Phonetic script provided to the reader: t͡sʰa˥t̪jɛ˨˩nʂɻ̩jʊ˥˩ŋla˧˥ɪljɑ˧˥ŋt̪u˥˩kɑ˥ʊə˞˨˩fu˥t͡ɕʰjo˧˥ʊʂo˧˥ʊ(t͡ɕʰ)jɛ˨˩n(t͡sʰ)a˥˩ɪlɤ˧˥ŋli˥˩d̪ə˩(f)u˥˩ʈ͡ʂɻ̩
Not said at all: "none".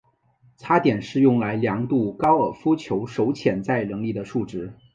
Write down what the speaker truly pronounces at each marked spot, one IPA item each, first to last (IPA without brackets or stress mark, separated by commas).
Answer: t͡ɕʰ, t͡s, ʂ